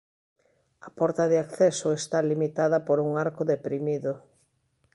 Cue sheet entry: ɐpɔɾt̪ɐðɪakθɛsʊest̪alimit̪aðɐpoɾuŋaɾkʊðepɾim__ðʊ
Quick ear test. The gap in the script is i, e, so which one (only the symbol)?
i